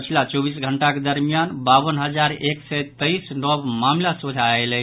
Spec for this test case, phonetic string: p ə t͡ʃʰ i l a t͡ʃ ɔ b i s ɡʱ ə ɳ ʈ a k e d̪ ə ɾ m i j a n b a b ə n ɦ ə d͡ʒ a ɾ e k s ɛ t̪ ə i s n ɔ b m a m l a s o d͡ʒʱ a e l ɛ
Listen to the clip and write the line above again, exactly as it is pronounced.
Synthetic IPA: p ə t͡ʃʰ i l a t͡ʃ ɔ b i s ɡʱ ə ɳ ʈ a k e d̪ ə ɾ m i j a n b a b ə n ɦ ə d͡ʒ a ɾ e k s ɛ t̪ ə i s n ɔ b m a m l a s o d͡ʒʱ a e l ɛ

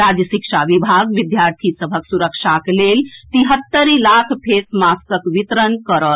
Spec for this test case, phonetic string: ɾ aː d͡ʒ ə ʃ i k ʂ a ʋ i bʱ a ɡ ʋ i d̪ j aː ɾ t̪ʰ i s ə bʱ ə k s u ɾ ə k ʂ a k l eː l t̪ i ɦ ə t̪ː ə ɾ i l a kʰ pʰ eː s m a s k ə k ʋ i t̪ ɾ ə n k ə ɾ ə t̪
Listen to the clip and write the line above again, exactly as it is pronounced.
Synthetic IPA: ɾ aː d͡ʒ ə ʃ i k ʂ a ʋ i bʱ a ɡ ʋ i d̪ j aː ɾ t̪ʰ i s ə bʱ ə k s u ɾ ə k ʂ a k l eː l t̪ i ɦ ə t̪ː ə ɾ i l a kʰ pʰ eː s m a s k ə k ʋ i t̪ ɾ ə n k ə ɾ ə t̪

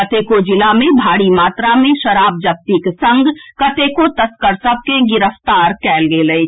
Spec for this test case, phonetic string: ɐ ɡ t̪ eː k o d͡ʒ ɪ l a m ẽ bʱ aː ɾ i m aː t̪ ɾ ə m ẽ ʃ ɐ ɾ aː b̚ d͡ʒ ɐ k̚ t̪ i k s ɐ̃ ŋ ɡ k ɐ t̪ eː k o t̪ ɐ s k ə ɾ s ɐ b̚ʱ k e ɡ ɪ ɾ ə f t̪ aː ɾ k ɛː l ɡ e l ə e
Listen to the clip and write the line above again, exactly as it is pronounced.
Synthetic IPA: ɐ t̪ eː k o d͡ʒ ɪ l a m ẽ bʱ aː ɽ i m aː t̪ ɾ a m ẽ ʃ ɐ ɾ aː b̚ d͡ʒ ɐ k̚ t̪ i k s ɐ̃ ŋ ɡ k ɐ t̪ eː k o t̪ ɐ s k ə ɾ s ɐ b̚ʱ k e ɡ ɪ ɾ ə f t̪ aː ɾ k ɛː l ɡ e l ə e

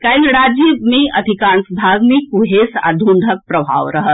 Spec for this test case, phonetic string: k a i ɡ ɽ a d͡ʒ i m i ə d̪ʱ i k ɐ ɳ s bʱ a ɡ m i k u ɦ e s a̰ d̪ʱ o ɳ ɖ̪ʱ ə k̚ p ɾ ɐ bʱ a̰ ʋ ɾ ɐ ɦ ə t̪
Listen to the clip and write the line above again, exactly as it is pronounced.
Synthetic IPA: k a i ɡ ɽ a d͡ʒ i m i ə d̪ʱ i k a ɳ s bʱ a ɡ m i k u ɦ e s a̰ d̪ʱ u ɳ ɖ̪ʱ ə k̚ p ɾ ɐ bʱ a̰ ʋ ɾ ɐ ɦ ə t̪

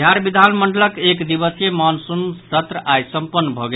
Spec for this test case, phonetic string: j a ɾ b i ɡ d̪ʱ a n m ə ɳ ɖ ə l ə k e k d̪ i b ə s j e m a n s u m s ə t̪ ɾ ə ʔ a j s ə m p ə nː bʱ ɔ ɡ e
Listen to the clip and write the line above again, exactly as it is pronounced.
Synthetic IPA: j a ɾ b i d̪ʱ a n m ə ɳ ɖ ə l ə k e k d̪ i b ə s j e m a n s u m s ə t̪ ɾ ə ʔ a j s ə m p ə nː bʱ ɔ ɡ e

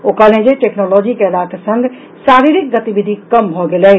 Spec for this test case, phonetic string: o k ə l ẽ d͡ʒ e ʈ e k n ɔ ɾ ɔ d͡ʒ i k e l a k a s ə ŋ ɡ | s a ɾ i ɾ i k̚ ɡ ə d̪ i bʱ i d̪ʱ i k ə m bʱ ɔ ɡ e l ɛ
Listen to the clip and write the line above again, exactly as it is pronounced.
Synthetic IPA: o k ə l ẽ d͡ʒ e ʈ e k n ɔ l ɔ d͡ʒ i k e l a k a s ə ŋ ɡ | s a ɾ i ɾ i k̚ ɡ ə t̪ i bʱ i d̪ʱ i k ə m bʱ ɔ ɡ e l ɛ

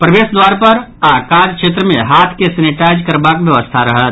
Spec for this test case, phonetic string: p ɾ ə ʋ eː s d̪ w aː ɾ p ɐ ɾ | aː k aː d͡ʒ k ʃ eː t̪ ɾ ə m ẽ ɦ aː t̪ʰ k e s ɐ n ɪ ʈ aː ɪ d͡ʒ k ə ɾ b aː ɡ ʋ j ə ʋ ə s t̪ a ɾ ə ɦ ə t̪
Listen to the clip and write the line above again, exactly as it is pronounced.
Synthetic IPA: p ɾ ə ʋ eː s d̪ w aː ɾ p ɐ ɾ | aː k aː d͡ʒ k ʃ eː t̪ ɾ ə m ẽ ɦ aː t̪ʰ k e s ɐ n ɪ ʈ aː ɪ d͡ʒ k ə ɾ b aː k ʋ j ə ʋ ə s t̪ʰ a ɾ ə ɦ ə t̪

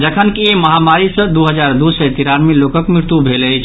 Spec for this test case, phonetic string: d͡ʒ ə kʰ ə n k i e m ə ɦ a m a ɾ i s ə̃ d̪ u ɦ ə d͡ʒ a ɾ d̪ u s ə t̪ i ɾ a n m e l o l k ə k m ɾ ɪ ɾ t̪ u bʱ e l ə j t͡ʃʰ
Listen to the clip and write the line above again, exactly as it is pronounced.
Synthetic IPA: d͡ʒ ə kʰ ə n k i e m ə ɦ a m a ɾ i s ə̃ d̪ u ɦ ə d͡ʒ a ɾ d̪ u s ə t̪ i ɾ a n m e l o k ə k m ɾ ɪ ɾ t̪ u bʱ e l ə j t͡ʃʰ

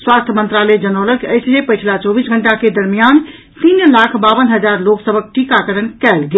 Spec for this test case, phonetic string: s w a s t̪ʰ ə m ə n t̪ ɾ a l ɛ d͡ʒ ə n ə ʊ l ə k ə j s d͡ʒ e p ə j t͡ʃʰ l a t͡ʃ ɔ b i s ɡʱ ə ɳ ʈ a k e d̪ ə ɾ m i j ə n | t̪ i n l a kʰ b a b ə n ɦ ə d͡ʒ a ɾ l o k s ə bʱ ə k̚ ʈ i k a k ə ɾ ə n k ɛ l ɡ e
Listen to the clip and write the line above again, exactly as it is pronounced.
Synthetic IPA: s w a s t̪ʰ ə m ə n t̪ ɾ a l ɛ d͡ʒ ə n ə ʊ l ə k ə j s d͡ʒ e p ə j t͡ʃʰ l a t͡ʃ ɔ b i s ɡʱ ə ɳ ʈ a k e d̪ ə ɾ m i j a n | t̪ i n l a kʰ b a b ə n ɦ ə d͡ʒ a ɾ l o k s ə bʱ ə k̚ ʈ i k a k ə ɾ ə n k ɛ l ɡ e

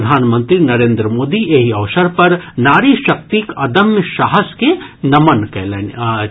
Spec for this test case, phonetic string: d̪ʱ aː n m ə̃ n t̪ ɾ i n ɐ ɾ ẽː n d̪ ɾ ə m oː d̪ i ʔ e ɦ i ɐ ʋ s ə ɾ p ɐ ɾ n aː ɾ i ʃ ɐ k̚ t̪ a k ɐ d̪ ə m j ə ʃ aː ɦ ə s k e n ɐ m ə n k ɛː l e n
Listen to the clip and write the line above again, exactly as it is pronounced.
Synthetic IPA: d̪ʱ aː n m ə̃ n t̪ ɾ i n ɐ ɾ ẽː n d̪ ɾ ə m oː d̪ i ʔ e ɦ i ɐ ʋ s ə ɾ p ɐ ɾ n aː ɾ i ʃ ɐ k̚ t̪ i k ɐ d̪ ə m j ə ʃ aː ɦ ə s k e n ɐ m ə n k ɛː l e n

